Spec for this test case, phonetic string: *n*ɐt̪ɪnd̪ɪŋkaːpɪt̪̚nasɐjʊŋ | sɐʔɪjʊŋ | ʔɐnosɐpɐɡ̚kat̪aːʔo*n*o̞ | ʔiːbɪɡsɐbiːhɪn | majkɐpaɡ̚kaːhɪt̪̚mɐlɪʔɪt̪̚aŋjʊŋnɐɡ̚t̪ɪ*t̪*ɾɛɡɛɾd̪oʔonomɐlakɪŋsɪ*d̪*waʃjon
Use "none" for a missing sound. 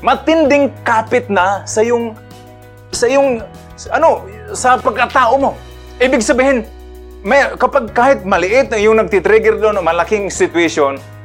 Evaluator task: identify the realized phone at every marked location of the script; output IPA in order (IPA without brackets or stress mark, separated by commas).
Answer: m, m, t̪, t̪